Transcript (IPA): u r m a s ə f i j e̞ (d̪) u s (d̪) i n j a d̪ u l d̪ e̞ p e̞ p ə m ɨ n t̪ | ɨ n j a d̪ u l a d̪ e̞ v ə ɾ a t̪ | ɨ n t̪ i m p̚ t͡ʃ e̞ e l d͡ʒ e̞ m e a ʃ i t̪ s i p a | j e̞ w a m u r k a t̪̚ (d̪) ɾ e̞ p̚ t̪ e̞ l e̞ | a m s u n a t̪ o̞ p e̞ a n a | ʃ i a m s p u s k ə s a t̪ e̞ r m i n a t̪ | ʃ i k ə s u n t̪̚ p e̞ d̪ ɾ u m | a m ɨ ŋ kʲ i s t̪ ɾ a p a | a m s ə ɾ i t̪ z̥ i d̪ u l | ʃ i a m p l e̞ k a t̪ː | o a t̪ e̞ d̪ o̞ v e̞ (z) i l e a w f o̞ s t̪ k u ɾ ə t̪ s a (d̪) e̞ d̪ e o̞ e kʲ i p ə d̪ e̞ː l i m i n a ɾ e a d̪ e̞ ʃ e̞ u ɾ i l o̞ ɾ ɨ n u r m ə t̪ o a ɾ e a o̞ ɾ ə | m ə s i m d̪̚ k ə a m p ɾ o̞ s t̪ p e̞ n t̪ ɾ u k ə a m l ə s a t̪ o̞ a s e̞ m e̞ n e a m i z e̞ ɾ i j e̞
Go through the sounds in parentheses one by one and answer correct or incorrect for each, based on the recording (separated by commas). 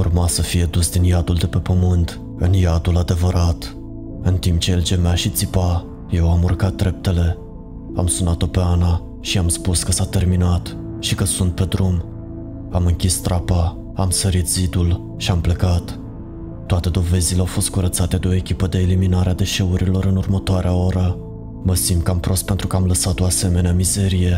correct, correct, correct, correct, incorrect